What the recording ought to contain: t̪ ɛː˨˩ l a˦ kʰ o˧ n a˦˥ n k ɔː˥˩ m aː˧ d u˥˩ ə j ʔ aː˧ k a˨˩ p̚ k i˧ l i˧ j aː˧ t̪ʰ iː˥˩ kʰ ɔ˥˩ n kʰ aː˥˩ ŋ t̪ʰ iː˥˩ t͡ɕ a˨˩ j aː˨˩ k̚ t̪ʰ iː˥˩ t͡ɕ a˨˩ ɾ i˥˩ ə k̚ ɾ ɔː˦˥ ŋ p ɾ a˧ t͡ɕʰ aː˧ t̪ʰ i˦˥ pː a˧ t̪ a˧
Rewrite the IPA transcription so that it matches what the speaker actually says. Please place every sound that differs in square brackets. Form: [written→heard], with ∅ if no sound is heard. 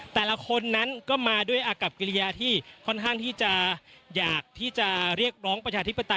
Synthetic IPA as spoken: t̪ ɛː˨˩ l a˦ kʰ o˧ [n→nː] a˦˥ n k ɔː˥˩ m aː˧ d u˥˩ ə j ʔ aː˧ k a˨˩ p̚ k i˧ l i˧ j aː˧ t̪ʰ iː˥˩ kʰ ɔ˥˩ n kʰ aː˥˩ ŋ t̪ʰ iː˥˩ t͡ɕ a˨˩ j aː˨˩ k̚ t̪ʰ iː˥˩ t͡ɕ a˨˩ ɾ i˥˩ ə k̚ ɾ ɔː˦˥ ŋ p ɾ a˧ t͡ɕʰ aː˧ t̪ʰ i˦˥ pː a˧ t̪ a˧